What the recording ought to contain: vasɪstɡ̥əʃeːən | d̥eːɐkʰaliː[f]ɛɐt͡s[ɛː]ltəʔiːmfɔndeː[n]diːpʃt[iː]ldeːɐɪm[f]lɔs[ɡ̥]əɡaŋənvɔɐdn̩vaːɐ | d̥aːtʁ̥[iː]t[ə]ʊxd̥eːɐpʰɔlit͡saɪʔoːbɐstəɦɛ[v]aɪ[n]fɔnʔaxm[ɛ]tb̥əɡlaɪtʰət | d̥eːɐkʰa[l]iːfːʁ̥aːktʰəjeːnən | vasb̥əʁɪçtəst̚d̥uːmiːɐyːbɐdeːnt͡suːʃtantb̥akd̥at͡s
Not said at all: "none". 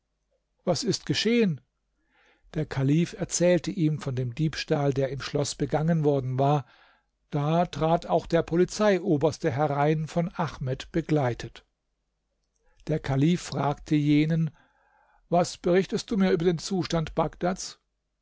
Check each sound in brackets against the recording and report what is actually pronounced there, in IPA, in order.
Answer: f, ɛː, m, aː, ʃ, b̥, aː, a, ʁ, n, ɛ, l

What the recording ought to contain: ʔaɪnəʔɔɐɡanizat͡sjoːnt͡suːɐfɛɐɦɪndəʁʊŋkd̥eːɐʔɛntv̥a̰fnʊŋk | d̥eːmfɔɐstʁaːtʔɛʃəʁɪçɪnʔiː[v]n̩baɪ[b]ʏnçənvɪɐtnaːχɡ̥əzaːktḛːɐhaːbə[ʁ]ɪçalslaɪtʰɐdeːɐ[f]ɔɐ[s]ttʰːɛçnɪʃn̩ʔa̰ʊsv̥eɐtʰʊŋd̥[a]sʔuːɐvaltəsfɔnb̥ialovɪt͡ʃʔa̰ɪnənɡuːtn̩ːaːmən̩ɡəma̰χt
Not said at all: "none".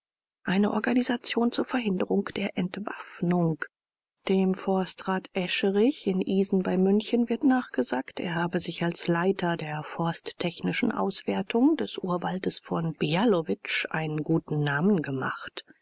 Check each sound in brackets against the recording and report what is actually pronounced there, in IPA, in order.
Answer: z, m, z, f, s, ɛ

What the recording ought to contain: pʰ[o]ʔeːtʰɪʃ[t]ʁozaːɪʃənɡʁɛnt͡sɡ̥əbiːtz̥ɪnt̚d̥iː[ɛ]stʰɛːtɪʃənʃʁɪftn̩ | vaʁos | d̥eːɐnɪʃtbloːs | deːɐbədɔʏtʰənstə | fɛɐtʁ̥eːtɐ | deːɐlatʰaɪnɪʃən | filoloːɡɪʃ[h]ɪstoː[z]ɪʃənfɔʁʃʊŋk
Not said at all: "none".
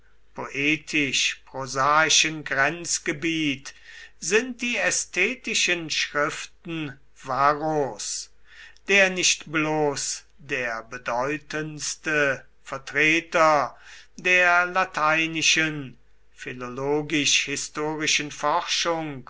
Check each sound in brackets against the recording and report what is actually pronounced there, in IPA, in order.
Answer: o, p, ɛ, h, ʁ

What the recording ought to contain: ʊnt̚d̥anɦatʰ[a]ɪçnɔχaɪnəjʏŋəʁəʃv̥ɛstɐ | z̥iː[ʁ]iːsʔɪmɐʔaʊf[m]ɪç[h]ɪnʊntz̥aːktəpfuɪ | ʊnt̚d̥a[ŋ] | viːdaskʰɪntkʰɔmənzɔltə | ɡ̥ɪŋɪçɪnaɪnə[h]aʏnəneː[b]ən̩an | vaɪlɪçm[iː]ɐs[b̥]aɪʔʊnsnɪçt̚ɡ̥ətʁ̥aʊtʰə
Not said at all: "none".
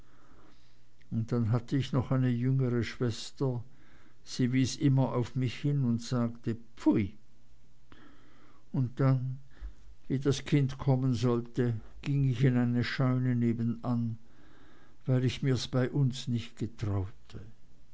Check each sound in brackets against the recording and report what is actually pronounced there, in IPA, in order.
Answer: ə, v, m, h, n, ʃ, b, iː, b̥

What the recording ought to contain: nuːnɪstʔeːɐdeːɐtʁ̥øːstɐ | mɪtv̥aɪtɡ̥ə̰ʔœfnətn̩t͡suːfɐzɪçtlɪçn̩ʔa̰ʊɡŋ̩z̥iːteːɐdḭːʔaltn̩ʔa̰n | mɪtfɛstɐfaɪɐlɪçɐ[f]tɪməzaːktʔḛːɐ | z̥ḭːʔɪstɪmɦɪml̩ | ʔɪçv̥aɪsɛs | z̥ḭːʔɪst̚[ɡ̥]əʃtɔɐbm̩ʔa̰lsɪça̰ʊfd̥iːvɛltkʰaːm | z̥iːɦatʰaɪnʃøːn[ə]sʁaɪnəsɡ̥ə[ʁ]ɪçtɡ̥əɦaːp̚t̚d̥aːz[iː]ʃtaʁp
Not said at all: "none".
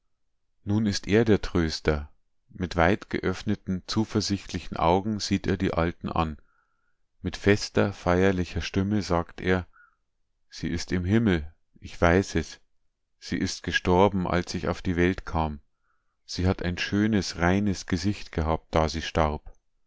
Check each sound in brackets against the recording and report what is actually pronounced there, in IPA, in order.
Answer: ʃ, ɡ̥, ə, z, iː

